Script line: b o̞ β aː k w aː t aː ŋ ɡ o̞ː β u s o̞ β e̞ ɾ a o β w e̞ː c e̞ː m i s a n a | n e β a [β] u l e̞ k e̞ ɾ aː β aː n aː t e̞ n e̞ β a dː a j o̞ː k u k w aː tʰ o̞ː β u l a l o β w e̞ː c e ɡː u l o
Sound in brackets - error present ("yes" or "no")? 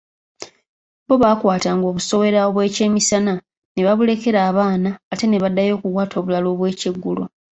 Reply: no